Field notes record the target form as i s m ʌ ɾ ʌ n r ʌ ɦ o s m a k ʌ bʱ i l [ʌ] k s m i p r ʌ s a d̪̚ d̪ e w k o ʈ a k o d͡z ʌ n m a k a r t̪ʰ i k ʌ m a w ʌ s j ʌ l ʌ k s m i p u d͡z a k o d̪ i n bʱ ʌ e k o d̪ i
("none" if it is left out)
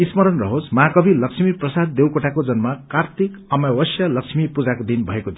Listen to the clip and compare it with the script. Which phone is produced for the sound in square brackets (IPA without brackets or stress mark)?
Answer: ʌ